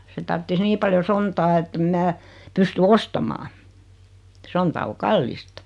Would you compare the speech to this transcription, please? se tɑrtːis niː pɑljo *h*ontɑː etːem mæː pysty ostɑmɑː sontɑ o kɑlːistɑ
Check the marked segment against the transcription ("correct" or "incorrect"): incorrect